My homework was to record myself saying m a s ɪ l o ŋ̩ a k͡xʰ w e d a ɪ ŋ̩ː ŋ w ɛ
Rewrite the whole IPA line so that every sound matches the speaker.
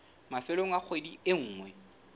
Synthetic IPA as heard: m a f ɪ l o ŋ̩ a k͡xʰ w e d i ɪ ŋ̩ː ŋ w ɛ